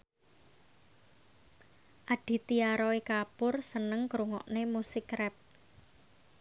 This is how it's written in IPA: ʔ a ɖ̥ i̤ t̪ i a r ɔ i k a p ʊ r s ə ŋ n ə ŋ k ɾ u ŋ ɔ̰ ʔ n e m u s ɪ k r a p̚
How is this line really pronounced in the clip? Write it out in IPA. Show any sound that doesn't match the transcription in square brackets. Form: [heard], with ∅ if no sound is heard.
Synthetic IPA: ʔ a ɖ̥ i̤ t̪ i a [ɾ] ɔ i k a p ʊ r s ə [∅] n ə ŋ k ɾ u ŋ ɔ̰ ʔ n e m u s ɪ k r [ɛ] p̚

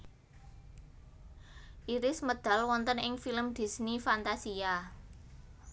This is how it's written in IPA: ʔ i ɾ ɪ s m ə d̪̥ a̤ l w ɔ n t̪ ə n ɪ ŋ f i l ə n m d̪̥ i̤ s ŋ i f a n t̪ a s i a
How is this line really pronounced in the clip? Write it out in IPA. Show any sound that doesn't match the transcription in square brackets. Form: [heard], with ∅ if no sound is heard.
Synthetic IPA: ʔ i ɾ ɪ s m ə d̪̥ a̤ l w ɔ n t̪ ə n ɪ ŋ f i l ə [∅] m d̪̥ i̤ s [n] i f a n t̪ a s i a

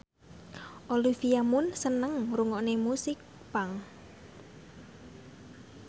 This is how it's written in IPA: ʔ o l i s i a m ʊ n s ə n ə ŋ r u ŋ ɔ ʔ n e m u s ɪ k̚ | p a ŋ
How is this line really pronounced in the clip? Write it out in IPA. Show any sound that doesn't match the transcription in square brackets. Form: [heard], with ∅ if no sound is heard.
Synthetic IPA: ʔ o l i [f] i a m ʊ n s ə n ə ŋ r u ŋ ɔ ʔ n e m u s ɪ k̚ | p a ŋ

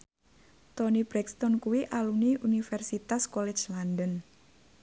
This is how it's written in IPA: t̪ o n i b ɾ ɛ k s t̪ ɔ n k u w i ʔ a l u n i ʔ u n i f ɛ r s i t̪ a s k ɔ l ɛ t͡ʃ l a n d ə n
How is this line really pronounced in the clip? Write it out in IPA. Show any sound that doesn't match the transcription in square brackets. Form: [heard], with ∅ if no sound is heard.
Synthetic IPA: t̪ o n i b ɾ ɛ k s t̪ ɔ n k u w i ʔ a l u n i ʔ u n i f ɛ r s i t̪ a s k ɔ l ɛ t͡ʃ l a n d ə n

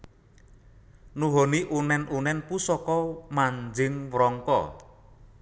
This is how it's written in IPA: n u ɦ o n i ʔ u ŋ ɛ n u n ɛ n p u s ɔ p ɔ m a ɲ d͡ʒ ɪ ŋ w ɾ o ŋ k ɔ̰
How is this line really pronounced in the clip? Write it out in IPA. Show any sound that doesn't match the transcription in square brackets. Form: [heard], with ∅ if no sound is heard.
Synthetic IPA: n u ɦ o n i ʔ u [n] ɛ n u n ɛ n p u s ɔ [k] ɔ m a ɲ d͡ʒ ɪ ŋ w ɾ [ɔ] ŋ k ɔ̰

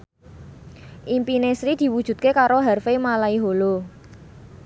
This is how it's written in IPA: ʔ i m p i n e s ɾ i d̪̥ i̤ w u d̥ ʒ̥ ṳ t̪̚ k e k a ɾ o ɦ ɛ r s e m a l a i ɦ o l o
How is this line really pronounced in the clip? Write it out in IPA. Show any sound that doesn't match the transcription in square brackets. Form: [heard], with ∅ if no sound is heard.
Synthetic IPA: ʔ i m p i n e s ɾ i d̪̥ i̤ w u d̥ ʒ̥ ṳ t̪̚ k e k a ɾ o ɦ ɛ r [f] e m a l a i ɦ o l o

